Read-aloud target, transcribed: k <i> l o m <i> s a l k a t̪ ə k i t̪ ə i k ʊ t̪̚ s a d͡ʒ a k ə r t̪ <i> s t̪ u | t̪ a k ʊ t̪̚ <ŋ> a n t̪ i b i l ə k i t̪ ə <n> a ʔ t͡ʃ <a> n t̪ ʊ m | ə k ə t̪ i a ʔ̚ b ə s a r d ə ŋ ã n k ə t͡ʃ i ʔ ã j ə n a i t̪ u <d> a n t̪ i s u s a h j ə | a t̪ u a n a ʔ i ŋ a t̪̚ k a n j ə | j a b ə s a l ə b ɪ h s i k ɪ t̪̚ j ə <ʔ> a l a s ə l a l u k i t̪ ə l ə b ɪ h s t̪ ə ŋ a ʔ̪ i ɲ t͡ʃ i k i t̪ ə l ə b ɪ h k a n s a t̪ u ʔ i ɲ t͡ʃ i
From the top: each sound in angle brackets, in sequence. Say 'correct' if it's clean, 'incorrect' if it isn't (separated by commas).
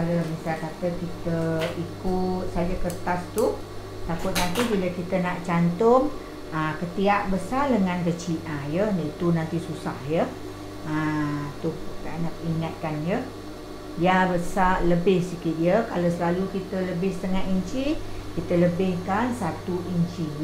incorrect, correct, incorrect, incorrect, correct, correct, incorrect, incorrect